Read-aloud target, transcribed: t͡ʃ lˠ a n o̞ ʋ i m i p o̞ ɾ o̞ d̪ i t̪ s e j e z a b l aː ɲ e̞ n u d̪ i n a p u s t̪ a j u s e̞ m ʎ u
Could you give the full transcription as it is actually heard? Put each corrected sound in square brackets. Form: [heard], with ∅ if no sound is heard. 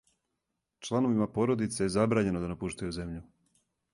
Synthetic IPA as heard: t͡ʃ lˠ a n o̞ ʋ i m [a] p o̞ ɾ o̞ d̪ i t̪ s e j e z a b [ɾ] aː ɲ e̞ n [o] d̪ [a] n a p u [ʃ] t̪ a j u [z] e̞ m ʎ u